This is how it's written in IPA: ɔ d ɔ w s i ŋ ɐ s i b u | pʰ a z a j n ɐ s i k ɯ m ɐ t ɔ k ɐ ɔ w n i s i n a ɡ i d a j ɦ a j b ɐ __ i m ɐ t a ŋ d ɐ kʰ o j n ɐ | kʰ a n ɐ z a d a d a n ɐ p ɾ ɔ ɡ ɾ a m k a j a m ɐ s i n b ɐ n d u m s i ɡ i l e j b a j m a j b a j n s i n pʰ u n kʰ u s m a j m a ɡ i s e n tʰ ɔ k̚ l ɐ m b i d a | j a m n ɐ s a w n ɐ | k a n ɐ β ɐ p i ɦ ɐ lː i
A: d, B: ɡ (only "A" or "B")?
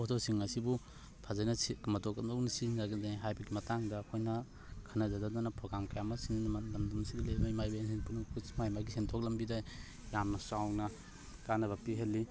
B